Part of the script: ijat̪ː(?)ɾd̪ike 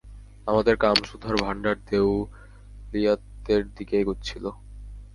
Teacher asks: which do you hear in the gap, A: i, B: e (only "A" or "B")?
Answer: B